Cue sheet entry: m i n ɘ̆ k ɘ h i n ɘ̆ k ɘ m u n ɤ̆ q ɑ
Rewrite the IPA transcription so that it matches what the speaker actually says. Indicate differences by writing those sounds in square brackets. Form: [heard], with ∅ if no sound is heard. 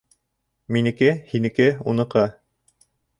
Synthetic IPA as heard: m i n ɘ̆ k ɘ h i n ɘ̆ k ɘ [∅] u n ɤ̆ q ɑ